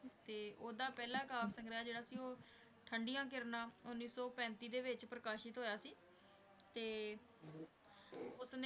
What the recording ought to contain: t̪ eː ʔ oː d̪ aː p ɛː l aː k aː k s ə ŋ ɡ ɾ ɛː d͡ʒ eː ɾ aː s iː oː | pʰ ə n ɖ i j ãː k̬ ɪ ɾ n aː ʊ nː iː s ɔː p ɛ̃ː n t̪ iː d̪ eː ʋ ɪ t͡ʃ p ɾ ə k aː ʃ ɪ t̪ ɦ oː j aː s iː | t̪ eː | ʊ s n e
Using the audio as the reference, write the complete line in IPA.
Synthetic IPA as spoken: t̪ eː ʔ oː d̪ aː p ɛː l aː k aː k s ə ŋ ɡ ɾ aː d͡ʒ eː ɽ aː s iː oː | ʈʰ ə ɳ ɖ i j ãː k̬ ɪ ɾ n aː ʊ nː iː s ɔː p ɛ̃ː n t̪ iː d̪ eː ʋ ɪ t͡ʃ p ɾ ə k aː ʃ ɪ t̪ ɦ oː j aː s iː | t̪ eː | ʊ s n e

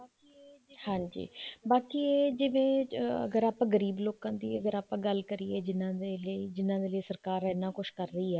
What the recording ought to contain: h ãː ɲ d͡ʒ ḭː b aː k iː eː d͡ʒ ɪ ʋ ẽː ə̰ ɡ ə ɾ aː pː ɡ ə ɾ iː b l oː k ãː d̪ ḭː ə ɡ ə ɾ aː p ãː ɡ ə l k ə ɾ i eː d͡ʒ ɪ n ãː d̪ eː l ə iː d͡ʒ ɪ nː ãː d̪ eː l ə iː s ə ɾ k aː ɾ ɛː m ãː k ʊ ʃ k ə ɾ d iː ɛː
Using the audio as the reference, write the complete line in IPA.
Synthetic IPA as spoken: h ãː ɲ d͡ʒ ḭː b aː k iː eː d͡ʒ ɪ ʋ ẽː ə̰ ɡ ə ɾ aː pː ɡ ə ɾ iː b l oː k ãː d̪ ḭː ə ɡ ə ɾ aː p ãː ɡ ə l k ə ɾ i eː d͡ʒ ɪ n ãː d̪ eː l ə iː d͡ʒ ɪ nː ãː d̪ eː l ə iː s ə ɾ k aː ɾ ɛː n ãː k ʊ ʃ k ə ɾ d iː ɛː

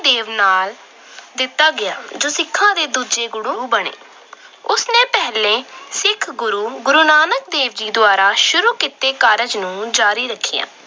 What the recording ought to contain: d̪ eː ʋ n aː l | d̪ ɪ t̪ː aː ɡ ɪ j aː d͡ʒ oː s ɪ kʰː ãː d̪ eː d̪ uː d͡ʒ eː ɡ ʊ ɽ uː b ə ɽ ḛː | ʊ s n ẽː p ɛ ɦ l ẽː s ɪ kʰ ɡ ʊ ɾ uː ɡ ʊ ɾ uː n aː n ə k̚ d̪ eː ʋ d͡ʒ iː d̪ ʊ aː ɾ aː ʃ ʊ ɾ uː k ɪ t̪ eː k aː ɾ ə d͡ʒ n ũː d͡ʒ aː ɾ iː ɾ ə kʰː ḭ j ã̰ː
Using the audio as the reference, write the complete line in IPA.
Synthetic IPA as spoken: d̪ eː ʋ n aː l | d̪ ɪ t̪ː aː ɡ ɪ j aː d͡ʒ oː s ɪ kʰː ãː d̪ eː d̪ uː d͡ʒ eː ɡ ʊ ɽ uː b ə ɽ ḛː | ʊ s n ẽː p ɛ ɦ l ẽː s ɪ kʰ ɡ ʊ ɾ uː ɡ ʊ ɾ uː n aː n ə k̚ d̪ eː ʋ d͡ʒ iː d̪ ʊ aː ɾ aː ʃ ʊ ɾ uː k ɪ t̪ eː k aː ɾ ə d͡ʒ n ũː d͡ʒ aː ɾ iː ɾ ə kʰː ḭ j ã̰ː

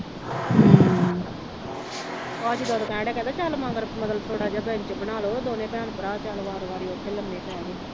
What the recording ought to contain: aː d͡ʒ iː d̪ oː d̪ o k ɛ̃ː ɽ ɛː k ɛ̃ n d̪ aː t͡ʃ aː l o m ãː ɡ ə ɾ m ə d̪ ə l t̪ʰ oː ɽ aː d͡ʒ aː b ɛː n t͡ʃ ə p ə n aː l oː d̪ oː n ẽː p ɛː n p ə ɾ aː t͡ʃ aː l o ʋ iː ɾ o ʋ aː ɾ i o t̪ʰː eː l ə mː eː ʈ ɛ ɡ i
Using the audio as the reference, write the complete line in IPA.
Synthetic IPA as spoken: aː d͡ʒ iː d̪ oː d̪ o k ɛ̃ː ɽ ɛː k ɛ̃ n d̪ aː t͡ʃ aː l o m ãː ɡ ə ɾ m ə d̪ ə l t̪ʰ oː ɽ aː d͡ʒ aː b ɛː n t͡ʃ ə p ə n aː l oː d̪ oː n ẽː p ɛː n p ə ɾ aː t͡ʃ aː l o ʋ aː ɾ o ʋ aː ɾ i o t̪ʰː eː l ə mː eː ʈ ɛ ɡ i

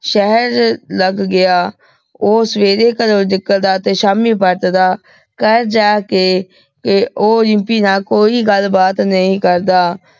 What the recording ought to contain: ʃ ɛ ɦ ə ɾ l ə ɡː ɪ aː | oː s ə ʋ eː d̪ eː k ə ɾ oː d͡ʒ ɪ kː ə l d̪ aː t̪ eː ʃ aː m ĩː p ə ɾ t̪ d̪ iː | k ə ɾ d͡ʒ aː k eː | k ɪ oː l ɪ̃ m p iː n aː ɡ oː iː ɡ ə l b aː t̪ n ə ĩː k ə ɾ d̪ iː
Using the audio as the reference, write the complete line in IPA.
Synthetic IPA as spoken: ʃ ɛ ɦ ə ɾ l ə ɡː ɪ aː | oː s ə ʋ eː d̪ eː k ə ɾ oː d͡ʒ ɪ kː ə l d̪ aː t̪ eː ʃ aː m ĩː p ə ɾ t̪ d̪ aː | k ə ɾ d͡ʒ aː k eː | k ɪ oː l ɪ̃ m p iː n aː k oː iː ɡ ə l b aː t̪ n ə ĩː k ə ɾ d̪ aː

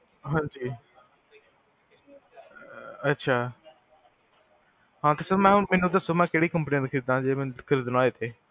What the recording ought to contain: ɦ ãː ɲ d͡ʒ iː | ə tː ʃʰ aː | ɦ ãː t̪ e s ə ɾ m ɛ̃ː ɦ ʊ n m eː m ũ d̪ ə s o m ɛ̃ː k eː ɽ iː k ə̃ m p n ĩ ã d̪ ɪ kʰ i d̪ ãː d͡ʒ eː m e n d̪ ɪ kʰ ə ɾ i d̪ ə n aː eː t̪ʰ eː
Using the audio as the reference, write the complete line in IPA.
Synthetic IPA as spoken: ɦ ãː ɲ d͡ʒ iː | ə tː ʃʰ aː | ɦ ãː t̪ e s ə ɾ m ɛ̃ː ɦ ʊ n m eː n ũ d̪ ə s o m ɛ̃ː k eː ɽ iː k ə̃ m p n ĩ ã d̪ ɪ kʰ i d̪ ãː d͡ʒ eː m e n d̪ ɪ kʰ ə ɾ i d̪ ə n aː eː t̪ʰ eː

